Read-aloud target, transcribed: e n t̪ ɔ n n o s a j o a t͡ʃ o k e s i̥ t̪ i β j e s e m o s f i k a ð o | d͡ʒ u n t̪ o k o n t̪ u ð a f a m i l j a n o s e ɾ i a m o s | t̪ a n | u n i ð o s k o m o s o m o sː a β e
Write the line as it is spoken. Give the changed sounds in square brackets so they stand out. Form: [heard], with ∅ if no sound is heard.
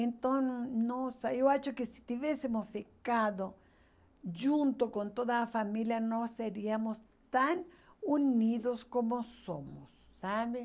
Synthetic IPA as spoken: e n t̪ [o] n n o s a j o a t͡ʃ o k e s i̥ t̪ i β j e s e m o s f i k a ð o | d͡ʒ u n t̪ o k o n t̪ [o] ð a f a m i l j a n o s e ɾ i a m o s | t̪ a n | u n i ð o s k o m o s o m o sː a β e